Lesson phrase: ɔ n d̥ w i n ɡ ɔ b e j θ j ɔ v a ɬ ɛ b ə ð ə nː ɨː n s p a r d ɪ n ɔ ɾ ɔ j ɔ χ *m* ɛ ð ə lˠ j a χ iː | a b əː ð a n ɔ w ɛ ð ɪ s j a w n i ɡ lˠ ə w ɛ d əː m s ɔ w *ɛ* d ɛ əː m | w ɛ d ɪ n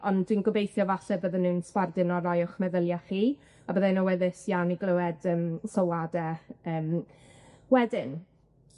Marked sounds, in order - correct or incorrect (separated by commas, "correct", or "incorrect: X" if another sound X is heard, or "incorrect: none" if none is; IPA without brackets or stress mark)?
correct, incorrect: a